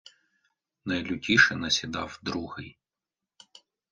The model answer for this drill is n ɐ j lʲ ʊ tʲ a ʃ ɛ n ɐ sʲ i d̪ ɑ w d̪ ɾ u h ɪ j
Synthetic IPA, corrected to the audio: n ɐ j lʲ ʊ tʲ i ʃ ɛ n ɐ sʲ i d̪ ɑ w d̪ ɾ u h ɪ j